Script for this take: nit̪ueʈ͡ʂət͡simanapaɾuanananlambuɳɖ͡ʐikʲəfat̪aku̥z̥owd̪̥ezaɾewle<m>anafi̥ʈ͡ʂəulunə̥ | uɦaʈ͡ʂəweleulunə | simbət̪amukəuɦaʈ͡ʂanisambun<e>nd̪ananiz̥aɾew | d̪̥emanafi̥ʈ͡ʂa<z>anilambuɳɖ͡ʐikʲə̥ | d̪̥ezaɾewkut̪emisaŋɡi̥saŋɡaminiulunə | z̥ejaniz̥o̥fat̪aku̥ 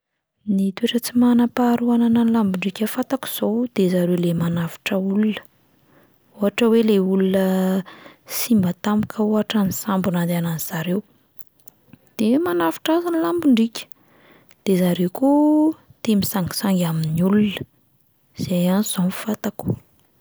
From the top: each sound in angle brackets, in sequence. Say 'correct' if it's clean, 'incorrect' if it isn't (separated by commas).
correct, incorrect, correct